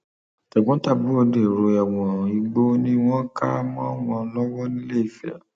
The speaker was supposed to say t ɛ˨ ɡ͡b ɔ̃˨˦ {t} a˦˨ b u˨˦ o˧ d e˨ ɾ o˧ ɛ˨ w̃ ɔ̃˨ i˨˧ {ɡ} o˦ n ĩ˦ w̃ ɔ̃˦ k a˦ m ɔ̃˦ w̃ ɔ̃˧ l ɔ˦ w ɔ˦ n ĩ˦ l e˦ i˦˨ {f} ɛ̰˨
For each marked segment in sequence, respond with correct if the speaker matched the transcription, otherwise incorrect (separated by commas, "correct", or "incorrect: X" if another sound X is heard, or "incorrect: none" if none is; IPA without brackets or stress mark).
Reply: correct, incorrect: ɡ͡b, correct